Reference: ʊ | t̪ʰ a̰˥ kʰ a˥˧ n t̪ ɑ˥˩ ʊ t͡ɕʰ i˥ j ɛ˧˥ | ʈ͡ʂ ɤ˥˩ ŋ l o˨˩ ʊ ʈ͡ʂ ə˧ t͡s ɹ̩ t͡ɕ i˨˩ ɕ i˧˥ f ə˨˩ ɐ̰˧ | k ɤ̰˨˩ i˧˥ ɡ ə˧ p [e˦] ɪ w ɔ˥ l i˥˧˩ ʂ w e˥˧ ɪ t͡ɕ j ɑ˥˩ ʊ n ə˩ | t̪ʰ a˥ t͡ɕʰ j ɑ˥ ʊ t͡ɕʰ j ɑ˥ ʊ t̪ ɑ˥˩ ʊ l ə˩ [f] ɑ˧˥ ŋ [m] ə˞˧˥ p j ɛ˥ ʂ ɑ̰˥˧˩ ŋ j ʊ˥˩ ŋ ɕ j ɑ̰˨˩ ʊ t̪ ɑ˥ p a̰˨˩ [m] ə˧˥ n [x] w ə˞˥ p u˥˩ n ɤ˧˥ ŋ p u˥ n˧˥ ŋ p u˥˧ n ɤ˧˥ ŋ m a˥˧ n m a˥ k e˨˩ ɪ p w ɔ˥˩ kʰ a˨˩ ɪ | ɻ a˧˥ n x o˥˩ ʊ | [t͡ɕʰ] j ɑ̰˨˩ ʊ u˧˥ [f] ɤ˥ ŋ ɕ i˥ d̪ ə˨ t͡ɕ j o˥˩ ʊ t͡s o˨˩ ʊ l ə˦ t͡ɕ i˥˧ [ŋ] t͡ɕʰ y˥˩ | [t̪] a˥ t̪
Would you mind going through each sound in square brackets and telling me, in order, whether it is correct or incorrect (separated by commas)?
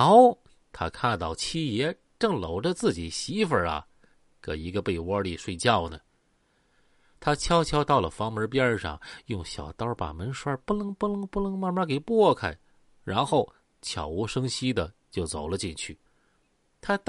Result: incorrect, correct, correct, correct, incorrect, correct, incorrect, incorrect, incorrect